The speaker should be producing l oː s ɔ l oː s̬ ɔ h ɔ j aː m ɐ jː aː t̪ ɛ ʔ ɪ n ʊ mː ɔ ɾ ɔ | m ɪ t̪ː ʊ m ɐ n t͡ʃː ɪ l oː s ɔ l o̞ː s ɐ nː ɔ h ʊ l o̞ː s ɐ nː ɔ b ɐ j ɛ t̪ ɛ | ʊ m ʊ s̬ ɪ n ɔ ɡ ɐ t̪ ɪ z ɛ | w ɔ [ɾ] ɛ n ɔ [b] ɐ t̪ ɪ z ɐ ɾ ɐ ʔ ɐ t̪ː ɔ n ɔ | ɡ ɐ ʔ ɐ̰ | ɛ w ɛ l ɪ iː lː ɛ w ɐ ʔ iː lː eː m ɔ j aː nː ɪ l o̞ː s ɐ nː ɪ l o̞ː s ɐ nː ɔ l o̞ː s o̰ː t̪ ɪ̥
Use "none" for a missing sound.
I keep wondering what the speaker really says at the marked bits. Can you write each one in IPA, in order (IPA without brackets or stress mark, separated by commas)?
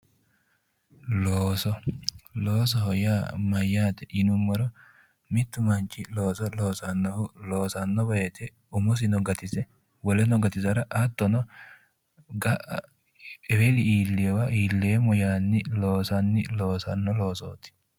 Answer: l, ɡ